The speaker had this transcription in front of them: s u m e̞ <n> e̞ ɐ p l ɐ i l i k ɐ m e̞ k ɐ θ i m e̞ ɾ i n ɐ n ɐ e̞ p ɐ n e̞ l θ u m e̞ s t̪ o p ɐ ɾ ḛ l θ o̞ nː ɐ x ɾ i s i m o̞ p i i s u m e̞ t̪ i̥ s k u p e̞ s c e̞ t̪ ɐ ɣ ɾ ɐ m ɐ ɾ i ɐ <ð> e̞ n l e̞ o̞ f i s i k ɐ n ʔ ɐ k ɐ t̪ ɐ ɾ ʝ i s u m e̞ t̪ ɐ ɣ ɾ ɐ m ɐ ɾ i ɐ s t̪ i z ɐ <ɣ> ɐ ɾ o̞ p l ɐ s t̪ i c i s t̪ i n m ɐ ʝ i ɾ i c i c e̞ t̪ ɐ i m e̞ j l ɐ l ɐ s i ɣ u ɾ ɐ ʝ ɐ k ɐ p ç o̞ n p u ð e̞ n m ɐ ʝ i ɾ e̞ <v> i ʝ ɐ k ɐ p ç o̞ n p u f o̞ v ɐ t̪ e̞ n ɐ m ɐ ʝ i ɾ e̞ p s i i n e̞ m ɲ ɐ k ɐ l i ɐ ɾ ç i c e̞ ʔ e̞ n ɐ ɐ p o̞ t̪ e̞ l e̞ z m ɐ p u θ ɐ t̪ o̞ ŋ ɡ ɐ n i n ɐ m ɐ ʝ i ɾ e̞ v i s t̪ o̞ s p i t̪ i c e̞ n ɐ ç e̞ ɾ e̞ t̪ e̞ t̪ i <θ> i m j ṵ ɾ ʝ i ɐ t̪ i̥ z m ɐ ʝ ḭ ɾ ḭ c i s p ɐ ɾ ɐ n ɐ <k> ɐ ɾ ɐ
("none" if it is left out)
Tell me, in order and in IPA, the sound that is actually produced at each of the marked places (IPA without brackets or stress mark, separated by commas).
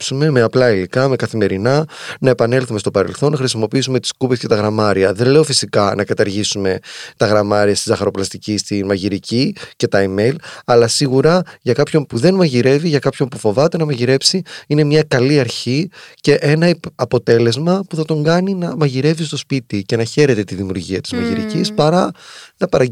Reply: m, ð, x, v, ð, p